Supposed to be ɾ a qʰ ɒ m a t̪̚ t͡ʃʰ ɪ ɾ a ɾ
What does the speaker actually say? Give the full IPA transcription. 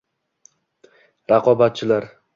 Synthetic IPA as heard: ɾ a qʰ ɒ b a t̪̚ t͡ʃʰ ɪ l a ɾ